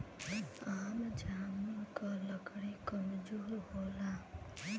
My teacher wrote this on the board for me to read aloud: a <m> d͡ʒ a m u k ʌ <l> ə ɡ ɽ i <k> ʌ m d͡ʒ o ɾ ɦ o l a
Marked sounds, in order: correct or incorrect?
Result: correct, correct, correct

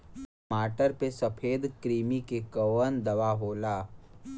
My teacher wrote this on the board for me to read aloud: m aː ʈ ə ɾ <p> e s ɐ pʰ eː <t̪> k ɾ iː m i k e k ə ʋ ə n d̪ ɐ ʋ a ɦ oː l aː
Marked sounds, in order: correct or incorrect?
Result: correct, incorrect: d̪

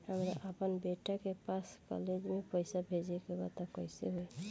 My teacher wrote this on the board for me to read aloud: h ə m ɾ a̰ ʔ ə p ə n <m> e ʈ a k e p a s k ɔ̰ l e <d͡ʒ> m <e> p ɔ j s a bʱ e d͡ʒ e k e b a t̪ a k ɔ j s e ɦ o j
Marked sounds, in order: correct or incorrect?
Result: incorrect: b, correct, correct

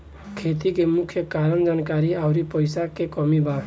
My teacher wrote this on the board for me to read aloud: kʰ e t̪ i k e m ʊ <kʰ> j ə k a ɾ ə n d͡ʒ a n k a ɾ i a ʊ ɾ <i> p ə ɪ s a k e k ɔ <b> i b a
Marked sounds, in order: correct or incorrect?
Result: correct, correct, incorrect: m

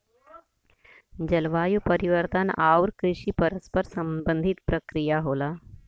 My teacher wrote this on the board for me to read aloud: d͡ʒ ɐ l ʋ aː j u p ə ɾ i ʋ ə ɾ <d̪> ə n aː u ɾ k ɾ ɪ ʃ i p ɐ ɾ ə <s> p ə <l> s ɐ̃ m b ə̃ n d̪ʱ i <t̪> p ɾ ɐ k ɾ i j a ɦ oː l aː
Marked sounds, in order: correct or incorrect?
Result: incorrect: t̪, correct, incorrect: ɾ, correct

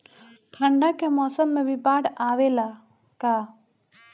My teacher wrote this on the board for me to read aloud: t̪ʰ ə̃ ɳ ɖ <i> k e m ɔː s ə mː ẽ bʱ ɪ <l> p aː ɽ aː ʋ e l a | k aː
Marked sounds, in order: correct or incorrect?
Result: incorrect: a, incorrect: none

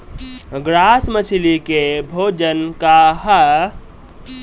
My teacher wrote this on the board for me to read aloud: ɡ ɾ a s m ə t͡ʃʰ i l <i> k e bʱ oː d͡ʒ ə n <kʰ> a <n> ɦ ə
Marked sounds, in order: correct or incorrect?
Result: correct, incorrect: k, incorrect: none

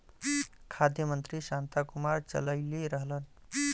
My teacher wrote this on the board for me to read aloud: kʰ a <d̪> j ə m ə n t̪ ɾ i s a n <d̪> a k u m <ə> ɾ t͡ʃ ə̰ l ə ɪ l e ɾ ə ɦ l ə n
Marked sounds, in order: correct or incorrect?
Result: correct, incorrect: t̪, incorrect: a

